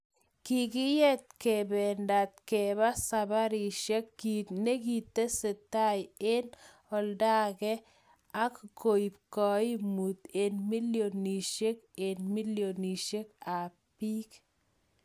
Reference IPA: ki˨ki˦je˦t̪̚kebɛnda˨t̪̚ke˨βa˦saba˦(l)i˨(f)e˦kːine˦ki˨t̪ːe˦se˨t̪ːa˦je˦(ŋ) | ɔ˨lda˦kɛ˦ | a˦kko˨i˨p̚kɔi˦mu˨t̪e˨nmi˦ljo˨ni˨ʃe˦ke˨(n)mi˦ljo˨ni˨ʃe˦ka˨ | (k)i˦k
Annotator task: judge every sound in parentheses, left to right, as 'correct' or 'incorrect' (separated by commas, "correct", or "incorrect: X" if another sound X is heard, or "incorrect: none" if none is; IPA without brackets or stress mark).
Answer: incorrect: ɾ, incorrect: ʃ, incorrect: n, correct, incorrect: p